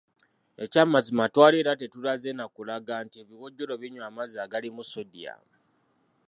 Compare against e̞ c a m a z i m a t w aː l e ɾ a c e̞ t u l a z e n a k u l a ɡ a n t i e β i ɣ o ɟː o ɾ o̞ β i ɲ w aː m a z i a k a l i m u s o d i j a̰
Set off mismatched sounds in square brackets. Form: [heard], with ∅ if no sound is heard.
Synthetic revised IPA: e̞ c a m a z i m a t w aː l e ɾ a [t] e̞ t u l a z e n a k u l a ɡ a n t i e β i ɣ o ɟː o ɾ o̞ β i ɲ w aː m a z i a [ɡ] a l i m u s o d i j a̰